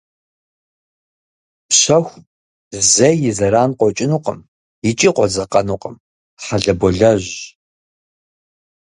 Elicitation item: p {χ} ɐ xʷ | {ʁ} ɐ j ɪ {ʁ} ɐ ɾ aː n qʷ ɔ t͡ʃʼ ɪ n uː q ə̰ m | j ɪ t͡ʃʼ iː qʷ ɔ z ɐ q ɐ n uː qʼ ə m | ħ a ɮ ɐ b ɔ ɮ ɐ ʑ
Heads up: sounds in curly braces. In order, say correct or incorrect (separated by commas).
incorrect, incorrect, incorrect